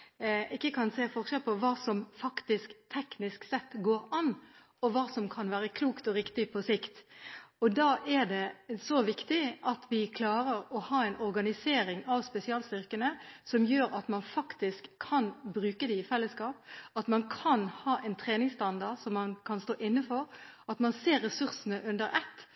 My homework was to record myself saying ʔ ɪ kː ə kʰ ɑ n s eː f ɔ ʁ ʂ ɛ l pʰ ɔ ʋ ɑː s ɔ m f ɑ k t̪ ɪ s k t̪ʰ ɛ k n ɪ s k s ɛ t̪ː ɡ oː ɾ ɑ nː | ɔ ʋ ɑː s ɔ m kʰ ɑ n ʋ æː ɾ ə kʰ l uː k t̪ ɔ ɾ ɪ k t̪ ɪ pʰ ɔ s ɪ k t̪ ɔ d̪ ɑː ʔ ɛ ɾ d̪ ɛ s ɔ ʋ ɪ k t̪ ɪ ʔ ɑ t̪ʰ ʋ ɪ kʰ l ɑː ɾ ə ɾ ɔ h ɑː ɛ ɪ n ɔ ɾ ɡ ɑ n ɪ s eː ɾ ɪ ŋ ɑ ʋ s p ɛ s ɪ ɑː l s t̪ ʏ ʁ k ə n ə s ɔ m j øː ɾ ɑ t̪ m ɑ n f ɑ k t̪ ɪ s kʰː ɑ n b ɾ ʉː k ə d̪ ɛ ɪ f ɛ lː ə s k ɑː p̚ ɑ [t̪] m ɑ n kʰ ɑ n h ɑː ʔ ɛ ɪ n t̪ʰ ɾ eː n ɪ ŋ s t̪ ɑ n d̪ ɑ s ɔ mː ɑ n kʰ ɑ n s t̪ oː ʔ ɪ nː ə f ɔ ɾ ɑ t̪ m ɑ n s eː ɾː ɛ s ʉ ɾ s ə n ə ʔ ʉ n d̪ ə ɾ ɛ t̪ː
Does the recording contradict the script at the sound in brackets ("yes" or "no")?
no